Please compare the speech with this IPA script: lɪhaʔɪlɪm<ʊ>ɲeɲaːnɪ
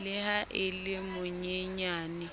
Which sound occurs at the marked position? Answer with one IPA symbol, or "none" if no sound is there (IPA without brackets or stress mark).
ʊ